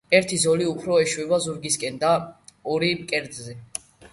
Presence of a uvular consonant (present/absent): absent